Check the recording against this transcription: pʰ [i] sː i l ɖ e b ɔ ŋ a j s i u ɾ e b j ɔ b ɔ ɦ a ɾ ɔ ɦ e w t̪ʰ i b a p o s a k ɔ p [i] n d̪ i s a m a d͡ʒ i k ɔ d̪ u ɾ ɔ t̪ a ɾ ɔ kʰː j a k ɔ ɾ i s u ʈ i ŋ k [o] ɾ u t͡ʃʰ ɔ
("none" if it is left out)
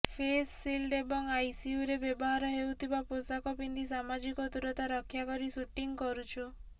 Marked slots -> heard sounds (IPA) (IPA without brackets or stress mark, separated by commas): e, i, ɔ